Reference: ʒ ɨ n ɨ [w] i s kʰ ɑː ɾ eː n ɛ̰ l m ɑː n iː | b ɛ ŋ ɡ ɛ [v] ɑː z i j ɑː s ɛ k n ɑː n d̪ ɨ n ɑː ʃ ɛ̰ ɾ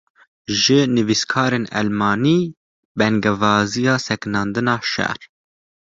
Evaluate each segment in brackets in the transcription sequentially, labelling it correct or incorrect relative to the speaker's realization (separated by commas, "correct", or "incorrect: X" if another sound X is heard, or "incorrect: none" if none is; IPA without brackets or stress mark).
incorrect: v, correct